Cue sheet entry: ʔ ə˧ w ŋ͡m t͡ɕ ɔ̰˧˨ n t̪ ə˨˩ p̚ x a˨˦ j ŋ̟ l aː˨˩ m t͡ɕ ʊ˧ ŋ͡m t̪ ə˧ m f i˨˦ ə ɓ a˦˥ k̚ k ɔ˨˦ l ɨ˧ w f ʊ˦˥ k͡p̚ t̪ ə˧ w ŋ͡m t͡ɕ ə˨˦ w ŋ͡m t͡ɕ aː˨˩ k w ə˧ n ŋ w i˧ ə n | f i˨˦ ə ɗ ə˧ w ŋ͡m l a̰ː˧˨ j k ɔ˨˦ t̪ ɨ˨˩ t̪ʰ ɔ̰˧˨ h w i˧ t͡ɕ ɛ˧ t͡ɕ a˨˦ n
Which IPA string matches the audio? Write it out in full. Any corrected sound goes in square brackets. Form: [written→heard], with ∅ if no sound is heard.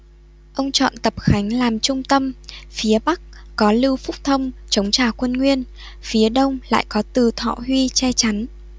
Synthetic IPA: ʔ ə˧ w ŋ͡m t͡ɕ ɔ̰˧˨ n t̪ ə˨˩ p̚ x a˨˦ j ŋ̟ l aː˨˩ m t͡ɕ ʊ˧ ŋ͡m t̪ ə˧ m f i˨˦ ə ɓ a˦˥ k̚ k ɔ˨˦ l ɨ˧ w f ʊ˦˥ k͡p̚ [t̪→t̪ʰ] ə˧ w ŋ͡m t͡ɕ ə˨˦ w ŋ͡m t͡ɕ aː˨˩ k w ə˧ n ŋ w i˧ ə n | f i˨˦ ə ɗ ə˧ w ŋ͡m l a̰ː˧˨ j k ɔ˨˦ t̪ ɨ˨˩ t̪ʰ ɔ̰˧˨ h w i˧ t͡ɕ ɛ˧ t͡ɕ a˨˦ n